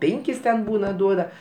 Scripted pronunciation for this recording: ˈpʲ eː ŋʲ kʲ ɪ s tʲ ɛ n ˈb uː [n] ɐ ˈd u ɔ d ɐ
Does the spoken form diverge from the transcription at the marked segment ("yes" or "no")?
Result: no